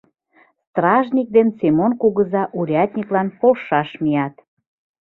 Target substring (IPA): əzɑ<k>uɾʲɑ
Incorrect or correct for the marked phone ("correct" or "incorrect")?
incorrect